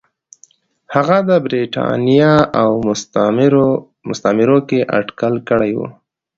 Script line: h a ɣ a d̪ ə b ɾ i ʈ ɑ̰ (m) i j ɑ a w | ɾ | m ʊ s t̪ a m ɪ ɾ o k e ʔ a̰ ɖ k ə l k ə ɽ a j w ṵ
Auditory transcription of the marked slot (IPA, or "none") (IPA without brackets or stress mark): n